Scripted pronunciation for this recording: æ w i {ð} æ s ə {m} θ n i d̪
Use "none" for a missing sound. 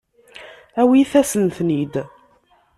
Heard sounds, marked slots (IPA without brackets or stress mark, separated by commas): θ, n